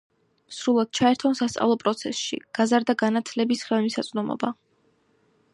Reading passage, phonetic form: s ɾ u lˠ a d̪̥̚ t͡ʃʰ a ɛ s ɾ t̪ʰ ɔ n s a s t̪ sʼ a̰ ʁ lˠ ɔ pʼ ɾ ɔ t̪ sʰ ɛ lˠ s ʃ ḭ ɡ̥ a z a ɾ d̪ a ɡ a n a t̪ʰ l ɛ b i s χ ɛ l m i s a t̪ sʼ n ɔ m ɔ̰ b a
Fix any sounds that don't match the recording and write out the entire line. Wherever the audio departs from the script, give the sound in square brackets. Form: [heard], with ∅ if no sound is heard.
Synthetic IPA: s ɾ u lˠ a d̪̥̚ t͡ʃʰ a ɛ [∅] ɾ t̪ʰ ɔ n s a s t̪ sʼ a̰ [v] lˠ ɔ pʼ ɾ ɔ t̪ sʰ ɛ [∅] s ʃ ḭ ɡ̥ a z a ɾ d̪ a ɡ a n a t̪ʰ l ɛ b i s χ ɛ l m i s a t̪ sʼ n ɔ m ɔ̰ b a

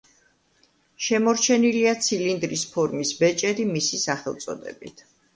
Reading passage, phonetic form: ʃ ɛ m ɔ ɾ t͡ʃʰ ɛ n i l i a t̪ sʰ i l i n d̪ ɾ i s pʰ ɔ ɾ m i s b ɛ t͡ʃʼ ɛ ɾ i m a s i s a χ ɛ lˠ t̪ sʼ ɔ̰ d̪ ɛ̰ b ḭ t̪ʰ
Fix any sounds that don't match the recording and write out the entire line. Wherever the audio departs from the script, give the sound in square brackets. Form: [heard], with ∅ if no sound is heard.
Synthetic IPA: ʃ ɛ m ɔ ɾ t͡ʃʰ ɛ n i l i a t̪ sʰ i l i n d̪ ɾ i s pʰ ɔ ɾ m i s b ɛ t͡ʃʼ ɛ ɾ i m [i] s i s a χ ɛ lˠ t̪ sʼ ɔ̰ d̪ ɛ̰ b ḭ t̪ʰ

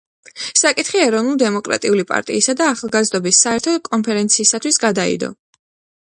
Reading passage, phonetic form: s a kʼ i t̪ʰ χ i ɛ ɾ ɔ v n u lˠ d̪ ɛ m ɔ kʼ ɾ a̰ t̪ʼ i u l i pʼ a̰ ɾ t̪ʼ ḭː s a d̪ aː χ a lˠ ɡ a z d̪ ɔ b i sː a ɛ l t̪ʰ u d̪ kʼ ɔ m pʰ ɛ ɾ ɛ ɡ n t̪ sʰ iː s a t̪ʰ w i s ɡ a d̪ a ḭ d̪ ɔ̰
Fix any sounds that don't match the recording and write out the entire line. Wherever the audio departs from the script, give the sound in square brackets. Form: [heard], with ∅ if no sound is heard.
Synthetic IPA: s a kʼ i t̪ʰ χ i ɛ ɾ ɔ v n u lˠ d̪ ɛ m ɔ kʼ ɾ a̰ t̪ʼ i u l i pʼ a̰ ɾ t̪ʼ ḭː s a d̪ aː χ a lˠ ɡ a z d̪ ɔ b i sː a ɛ [ɾ] t̪ʰ [ɔ] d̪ kʼ ɔ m pʰ ɛ ɾ ɛ [∅] n t̪ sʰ iː s a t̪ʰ w i s ɡ a d̪ a ḭ d̪ ɔ̰

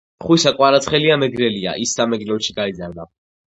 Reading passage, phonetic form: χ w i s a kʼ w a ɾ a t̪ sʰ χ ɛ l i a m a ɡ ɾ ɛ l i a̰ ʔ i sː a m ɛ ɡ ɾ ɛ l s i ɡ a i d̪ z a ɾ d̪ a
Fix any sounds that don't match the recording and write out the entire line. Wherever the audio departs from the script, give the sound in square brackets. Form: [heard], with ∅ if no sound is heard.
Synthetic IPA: χ w i s a kʼ w a ɾ a t̪ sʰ χ ɛ l i a m [ɛ] ɡ ɾ ɛ l i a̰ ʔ i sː a m ɛ ɡ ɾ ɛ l [ʃ] i ɡ a i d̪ z a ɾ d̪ a

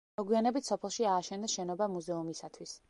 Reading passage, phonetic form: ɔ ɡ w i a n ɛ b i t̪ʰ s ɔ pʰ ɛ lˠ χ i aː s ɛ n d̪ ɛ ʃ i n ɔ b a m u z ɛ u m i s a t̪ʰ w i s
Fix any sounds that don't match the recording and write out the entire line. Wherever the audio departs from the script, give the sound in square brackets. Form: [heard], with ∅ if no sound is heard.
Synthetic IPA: ɔ ɡ w i a n ɛ b i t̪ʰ s ɔ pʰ ɛ lˠ [ʃ] i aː [ʃ] ɛ n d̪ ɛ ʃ [ɛ] n ɔ b a m u z ɛ u m i s a t̪ʰ w i s

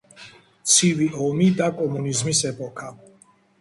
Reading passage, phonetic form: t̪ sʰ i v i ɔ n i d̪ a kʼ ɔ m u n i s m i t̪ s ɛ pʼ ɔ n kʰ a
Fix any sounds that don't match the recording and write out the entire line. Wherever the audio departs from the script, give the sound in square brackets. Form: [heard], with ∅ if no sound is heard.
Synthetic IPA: t̪ sʰ i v i ɔ [m] i d̪ a kʼ ɔ m u n i [z] m i [∅] s ɛ pʼ ɔ [∅] kʰ a

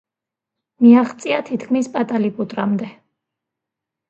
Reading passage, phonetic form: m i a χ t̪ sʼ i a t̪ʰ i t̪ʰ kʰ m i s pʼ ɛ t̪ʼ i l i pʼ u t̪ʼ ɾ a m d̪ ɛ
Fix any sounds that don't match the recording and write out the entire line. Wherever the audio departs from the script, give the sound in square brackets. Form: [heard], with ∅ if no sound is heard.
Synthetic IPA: m i a χ t̪ sʼ i a t̪ʰ i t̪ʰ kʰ m i s pʼ [a] t̪ʼ [a] l i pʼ u t̪ʼ ɾ a m d̪ ɛ

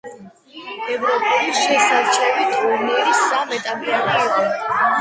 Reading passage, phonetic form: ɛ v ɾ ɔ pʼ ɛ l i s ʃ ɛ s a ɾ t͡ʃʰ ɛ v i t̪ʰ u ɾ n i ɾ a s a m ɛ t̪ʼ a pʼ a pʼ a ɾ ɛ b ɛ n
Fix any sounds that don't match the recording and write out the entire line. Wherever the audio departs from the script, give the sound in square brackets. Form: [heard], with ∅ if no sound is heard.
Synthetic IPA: ɛ v ɾ ɔ pʼ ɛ l i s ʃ ɛ s a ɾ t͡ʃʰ ɛ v i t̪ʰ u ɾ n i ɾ [i] s a m ɛ t̪ʼ a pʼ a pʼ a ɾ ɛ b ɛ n

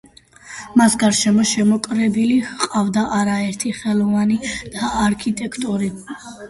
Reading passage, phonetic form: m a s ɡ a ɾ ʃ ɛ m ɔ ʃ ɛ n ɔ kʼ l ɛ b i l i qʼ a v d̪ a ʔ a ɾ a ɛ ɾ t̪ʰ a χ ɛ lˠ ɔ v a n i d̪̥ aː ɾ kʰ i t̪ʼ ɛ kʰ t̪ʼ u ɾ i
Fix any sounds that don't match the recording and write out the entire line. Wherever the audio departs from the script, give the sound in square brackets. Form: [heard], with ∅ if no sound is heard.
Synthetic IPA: m a s ɡ a ɾ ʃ ɛ m ɔ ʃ ɛ [m] ɔ kʼ [ɾ] ɛ b i l i qʼ a v d̪ a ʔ a ɾ a ɛ ɾ t̪ʰ [i] χ ɛ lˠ ɔ v a n i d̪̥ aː ɾ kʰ i t̪ʼ ɛ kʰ t̪ʼ u ɾ i

